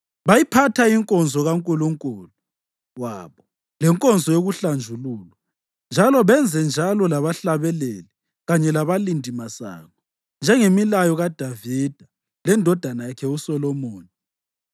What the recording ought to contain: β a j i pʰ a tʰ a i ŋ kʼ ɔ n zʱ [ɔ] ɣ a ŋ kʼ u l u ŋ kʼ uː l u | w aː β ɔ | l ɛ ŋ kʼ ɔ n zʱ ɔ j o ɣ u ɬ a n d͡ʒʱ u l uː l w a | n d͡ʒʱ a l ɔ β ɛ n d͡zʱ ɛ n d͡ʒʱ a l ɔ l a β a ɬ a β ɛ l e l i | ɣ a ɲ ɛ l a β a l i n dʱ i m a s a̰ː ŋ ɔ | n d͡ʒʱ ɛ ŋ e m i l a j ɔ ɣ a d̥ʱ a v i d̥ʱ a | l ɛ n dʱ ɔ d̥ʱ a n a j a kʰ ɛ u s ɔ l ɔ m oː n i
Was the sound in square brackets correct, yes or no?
yes